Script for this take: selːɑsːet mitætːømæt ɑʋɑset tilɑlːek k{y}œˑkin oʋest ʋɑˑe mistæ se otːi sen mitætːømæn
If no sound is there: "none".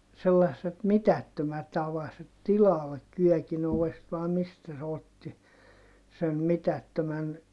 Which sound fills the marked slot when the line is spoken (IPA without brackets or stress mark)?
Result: y